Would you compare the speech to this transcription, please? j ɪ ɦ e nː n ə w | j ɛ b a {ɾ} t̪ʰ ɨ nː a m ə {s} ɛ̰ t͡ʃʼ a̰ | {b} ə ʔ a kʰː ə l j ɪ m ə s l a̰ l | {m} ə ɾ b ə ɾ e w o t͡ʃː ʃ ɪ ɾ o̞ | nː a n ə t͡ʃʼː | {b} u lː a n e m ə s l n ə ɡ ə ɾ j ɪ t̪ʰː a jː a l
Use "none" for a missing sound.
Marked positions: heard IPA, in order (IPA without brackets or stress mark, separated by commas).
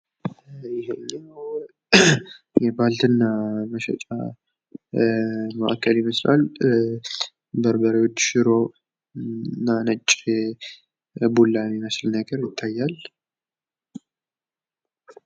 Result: l, ʃ, m, b, b